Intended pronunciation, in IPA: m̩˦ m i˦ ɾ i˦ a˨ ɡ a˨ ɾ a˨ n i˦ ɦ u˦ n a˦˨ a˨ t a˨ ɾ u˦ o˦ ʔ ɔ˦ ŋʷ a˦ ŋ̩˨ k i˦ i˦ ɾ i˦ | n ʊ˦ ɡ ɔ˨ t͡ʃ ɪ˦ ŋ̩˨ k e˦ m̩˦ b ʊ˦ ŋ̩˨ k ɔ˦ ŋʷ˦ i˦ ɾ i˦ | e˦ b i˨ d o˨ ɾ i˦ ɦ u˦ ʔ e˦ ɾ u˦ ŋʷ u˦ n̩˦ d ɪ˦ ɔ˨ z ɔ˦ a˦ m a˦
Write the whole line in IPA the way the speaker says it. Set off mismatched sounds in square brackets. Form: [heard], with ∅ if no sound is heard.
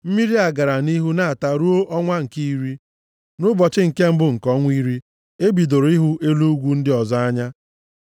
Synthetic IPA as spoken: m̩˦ m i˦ ɾ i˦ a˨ ɡ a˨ ɾ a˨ n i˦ ɦ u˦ n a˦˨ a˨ t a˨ ɾ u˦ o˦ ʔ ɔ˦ ŋʷ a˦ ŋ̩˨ k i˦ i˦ ɾ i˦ | n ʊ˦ [b] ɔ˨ t͡ʃ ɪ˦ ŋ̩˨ k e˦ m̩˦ b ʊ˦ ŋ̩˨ k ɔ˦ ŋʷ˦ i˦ ɾ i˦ | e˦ b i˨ d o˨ ɾ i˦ ɦ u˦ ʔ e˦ [l] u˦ [ɡʷ] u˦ n̩˦ d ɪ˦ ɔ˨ z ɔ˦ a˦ [ɲ] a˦